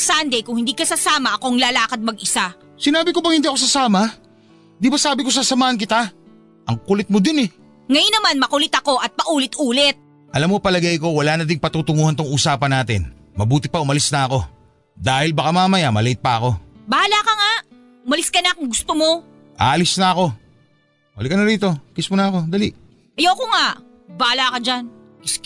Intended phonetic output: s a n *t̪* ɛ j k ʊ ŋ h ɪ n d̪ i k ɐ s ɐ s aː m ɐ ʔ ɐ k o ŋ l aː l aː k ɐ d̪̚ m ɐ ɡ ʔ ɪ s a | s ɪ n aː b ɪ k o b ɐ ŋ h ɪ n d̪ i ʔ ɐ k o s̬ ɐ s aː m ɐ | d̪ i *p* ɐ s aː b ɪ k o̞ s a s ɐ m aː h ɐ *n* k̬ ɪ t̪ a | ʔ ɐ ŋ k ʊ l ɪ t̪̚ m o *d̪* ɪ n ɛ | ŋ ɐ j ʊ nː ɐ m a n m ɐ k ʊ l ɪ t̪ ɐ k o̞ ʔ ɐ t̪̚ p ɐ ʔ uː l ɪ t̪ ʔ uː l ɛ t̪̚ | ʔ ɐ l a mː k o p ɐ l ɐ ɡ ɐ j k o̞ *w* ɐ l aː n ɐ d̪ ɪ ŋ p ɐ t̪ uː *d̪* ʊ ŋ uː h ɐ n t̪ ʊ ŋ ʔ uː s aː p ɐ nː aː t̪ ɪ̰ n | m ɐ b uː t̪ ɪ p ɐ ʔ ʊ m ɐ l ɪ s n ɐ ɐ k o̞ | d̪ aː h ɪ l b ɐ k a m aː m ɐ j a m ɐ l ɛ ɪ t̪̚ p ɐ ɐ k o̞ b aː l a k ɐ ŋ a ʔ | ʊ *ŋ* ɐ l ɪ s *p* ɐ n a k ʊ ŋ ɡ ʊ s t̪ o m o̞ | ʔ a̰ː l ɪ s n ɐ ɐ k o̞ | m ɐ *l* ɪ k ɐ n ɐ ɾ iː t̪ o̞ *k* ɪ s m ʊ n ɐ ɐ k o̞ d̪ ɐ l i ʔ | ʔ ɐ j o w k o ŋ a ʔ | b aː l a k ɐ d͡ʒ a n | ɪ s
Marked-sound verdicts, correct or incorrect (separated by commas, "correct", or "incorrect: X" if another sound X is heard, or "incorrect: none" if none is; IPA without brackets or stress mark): incorrect: d̪, incorrect: b, correct, correct, correct, incorrect: t̪, incorrect: m, incorrect: k, correct, correct